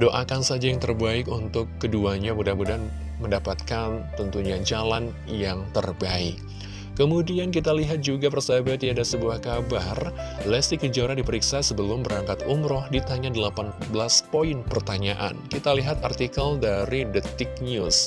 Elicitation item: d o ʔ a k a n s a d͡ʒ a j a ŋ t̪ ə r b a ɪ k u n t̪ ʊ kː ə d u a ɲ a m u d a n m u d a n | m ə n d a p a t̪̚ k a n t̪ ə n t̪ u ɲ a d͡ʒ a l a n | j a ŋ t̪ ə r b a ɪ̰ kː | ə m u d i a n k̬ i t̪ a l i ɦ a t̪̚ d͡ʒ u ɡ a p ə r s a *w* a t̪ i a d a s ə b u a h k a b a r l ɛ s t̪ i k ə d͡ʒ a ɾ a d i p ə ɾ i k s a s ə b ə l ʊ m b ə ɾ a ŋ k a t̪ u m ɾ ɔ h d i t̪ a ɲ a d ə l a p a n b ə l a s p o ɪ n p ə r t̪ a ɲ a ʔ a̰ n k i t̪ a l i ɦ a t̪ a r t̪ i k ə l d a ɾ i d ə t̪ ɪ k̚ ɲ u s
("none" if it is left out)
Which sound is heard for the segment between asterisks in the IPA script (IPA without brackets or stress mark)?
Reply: b